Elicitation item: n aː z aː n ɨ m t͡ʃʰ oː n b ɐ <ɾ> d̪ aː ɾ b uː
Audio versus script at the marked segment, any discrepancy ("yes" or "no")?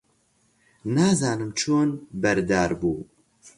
no